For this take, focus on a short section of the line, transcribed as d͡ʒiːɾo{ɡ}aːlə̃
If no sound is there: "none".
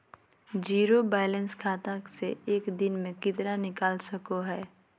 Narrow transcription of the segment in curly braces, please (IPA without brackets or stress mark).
b